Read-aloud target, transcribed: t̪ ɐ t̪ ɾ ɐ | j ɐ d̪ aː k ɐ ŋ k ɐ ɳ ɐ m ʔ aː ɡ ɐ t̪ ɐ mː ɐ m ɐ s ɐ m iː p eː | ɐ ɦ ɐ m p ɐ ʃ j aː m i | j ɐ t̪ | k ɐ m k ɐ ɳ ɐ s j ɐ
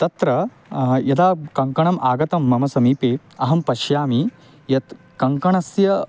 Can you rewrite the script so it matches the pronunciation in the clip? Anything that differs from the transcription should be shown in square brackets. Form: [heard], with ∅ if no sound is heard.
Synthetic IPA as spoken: t̪ ɐ t̪ ɾ ɐ | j ɐ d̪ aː k ɐ ŋ k ɐ ɳ ɐ m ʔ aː ɡ ɐ t̪ ɐ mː ɐ m ɐ s ɐ m iː p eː | ɐ ɦ ɐ m p ɐ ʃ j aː m i | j ɐ t̪ | k ɐ [ŋ] k ɐ ɳ ɐ s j ɐ